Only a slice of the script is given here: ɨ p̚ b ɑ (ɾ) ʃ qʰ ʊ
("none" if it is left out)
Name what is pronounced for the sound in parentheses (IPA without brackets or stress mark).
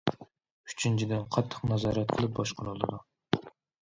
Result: none